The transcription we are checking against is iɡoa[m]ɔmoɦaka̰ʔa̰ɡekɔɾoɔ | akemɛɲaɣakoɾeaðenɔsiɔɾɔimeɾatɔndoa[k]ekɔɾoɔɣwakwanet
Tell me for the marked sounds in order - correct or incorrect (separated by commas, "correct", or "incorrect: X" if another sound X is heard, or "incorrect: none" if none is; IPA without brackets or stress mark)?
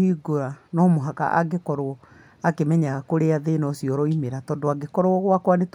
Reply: incorrect: n, incorrect: ɡ